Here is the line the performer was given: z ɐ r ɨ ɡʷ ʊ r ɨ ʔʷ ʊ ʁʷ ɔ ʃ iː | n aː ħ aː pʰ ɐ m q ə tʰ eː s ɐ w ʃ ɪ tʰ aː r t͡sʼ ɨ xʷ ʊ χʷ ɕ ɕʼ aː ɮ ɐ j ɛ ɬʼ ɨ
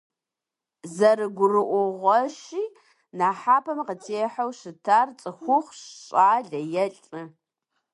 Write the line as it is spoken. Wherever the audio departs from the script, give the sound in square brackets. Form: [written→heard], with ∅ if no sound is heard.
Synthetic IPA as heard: z ɐ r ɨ ɡʷ ʊ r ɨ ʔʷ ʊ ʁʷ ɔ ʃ iː | n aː ħ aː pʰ ɐ m q ə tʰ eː [s→ħ] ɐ w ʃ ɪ tʰ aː r t͡sʼ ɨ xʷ ʊ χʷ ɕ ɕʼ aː ɮ ɐ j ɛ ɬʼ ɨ